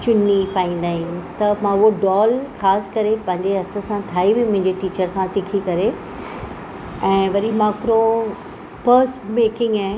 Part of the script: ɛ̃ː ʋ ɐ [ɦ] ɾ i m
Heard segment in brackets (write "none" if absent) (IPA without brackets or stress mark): none